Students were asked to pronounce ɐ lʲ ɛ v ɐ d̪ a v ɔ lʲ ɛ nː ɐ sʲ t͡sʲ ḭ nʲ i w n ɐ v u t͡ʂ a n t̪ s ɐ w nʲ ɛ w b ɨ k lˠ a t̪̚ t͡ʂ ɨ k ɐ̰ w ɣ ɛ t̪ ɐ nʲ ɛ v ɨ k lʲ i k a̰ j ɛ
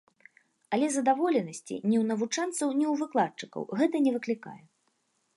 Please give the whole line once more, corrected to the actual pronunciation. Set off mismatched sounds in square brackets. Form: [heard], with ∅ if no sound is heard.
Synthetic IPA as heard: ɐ lʲ ɛ [z] ɐ d̪ a v ɔ lʲ ɛ [n] ɐ sʲ t͡sʲ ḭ nʲ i w n ɐ v u t͡ʂ a n t̪ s ɐ w nʲ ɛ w [v] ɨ k lˠ a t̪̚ t͡ʂ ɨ k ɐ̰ w ɣ ɛ t̪ ɐ nʲ ɛ v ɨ k lʲ i k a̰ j ɛ